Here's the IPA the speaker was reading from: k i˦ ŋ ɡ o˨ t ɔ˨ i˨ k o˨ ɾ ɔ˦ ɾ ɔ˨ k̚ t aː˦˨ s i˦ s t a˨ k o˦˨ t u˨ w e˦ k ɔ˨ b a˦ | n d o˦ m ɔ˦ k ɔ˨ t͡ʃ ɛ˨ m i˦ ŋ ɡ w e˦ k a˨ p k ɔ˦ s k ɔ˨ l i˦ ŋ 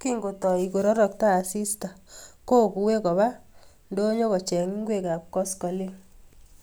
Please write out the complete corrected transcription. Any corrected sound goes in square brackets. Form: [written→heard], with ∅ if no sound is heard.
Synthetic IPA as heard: k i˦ ŋ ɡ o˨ t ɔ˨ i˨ k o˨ ɾ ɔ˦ ɾ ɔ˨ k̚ t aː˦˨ s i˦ s t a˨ k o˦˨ [t→k] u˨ w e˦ k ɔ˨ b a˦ | n d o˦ [m→ɲ] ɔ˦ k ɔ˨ t͡ʃ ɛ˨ [m→ŋ] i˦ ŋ ɡ w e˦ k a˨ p k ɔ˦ s k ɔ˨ l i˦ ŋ